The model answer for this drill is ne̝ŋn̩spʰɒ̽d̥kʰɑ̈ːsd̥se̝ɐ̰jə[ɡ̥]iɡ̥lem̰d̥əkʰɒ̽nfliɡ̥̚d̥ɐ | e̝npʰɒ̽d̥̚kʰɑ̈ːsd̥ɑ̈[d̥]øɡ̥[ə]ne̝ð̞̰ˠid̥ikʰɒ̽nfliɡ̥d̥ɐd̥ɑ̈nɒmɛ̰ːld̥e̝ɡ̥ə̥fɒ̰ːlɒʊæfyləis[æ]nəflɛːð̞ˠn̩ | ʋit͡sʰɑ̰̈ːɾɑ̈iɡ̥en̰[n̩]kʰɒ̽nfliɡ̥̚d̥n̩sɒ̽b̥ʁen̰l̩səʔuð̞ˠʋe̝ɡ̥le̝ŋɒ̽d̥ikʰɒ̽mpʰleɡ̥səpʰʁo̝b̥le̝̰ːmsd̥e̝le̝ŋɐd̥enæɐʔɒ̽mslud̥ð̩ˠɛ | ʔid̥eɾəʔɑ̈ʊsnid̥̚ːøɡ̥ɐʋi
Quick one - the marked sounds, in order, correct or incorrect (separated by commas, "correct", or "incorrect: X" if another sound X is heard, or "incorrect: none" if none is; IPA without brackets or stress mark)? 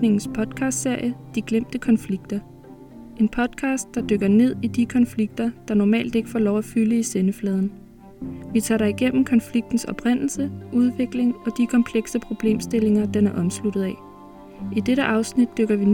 incorrect: d̥, correct, incorrect: ɐ, incorrect: e, incorrect: m̩